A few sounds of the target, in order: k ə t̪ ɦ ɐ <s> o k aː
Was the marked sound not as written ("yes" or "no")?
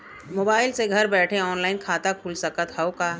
yes